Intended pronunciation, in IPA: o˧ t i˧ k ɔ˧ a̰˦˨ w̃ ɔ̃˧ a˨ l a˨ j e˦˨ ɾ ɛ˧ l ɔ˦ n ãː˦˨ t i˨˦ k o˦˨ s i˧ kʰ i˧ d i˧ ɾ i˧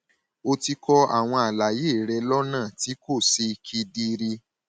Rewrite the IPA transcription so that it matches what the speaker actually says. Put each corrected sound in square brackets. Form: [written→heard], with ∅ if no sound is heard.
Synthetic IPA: o˧ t i˧ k ɔ˧ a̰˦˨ w̃ ɔ̃˧ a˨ l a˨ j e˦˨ ɾ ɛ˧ l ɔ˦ n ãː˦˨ t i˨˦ k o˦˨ s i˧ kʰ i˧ d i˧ ɾ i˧